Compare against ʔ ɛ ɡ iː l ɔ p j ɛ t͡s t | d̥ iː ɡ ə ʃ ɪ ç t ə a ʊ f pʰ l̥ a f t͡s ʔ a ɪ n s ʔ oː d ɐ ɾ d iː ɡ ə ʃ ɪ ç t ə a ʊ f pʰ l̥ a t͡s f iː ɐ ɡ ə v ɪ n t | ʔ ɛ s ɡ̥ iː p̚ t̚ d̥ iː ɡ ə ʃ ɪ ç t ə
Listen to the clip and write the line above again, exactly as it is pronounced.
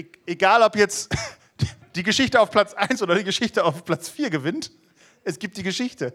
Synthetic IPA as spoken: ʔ e ɡ aː l ɔ p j ɛ t͡s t | d̥ iː ɡ ə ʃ ɪ ç t ə a ʊ f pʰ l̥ a t͡s ʔ a ɪ n s ʔ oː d ɐ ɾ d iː ɡ ə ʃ ɪ ç t ə a ʊ f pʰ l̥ a t͡s f iː ɐ ɡ ə v ɪ n t | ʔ ɛ s ɡ̥ iː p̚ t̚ d̥ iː ɡ ə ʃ ɪ ç t ə